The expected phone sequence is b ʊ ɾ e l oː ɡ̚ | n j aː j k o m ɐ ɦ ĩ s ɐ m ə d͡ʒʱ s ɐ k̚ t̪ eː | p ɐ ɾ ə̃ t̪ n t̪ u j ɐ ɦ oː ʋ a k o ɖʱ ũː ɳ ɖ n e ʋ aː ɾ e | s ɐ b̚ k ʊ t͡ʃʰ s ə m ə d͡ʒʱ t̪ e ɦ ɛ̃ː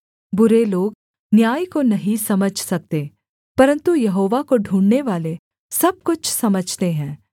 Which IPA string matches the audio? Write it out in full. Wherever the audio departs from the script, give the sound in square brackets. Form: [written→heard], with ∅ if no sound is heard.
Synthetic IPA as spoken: b ʊ ɾ e l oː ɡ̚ | n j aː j k o [m→n] ɐ ɦ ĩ s ɐ m ə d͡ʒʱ s ɐ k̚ t̪ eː | p ɐ ɾ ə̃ [t̪→∅] n t̪ u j ɐ ɦ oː ʋ a k o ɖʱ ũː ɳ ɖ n e ʋ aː [ɾ→l] e | s ɐ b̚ k ʊ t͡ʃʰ s [ə→ɐ] m ə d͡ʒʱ t̪ e ɦ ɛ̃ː